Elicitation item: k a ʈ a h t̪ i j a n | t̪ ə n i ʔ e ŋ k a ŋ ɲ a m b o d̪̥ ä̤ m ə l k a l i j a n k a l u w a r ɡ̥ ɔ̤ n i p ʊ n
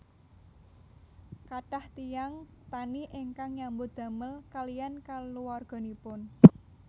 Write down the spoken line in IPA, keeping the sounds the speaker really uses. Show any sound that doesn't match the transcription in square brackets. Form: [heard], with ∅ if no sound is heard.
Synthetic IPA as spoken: k a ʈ a h t̪ i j a [ŋ] | t̪ [a] n i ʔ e ŋ k a ŋ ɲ a m b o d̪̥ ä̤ m ə l k a l i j a n k a l u w a r ɡ̥ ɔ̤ n i p ʊ n